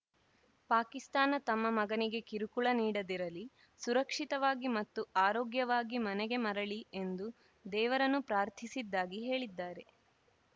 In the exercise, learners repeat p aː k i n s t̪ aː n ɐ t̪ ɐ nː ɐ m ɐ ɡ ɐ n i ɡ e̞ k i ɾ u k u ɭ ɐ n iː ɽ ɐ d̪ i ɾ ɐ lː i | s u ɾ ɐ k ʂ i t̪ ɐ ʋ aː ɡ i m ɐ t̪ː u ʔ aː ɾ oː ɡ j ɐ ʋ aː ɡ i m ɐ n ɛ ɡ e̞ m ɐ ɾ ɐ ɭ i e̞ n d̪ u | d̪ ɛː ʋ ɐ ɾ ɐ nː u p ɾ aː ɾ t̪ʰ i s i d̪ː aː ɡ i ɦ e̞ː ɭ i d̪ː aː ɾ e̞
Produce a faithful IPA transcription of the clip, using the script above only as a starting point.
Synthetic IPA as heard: p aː k i s t̪ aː n ɐ t̪ ɐ mː ɐ m ɐ ɡ ɐ n i ɡ e̞ k i ɾ u k u ɭ ɐ n iː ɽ ɐ d̪ i ɾ ɐ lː i | s u ɾ ɐ k ʂ i t̪ ɐ ʋ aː ɡ i m ɐ t̪ː u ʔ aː ɾ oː ɡ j ɐ ʋ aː ɡ i m ɐ n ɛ ɡ e̞ m ɐ ɾ ɐ ɭ i e̞ n d̪ u | d̪ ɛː ʋ ɐ ɾ ɐ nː u p ɾ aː ɾ t̪ʰ i s i d̪ː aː ɡ i ɦ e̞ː ɭ i d̪ː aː ɾ e̞